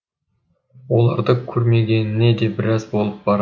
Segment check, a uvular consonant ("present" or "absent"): absent